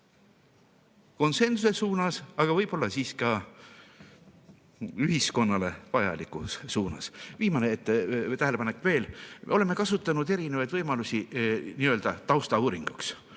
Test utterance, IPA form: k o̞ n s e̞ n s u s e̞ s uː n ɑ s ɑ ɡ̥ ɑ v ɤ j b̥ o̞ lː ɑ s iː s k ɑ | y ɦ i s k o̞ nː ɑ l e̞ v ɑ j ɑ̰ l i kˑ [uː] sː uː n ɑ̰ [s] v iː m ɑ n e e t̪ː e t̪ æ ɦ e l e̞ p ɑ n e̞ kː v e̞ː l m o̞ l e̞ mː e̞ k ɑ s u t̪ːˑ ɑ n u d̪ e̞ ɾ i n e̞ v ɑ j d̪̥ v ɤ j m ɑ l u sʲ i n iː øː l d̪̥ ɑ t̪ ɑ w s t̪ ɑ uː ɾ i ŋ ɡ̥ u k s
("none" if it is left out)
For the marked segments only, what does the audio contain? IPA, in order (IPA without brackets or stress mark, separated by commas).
u, s